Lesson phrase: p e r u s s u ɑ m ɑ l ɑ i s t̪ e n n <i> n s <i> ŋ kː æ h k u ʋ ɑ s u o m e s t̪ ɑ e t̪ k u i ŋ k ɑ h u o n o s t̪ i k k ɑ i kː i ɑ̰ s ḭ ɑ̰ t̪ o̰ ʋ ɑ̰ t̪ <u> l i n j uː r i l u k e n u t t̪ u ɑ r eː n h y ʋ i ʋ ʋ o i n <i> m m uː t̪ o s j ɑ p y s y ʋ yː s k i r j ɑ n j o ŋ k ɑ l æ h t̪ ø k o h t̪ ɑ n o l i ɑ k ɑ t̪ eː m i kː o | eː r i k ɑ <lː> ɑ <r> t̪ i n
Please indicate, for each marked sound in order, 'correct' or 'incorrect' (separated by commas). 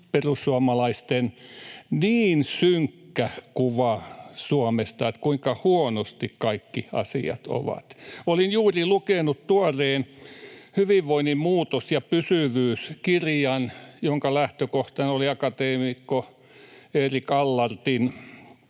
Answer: incorrect, incorrect, incorrect, correct, correct, correct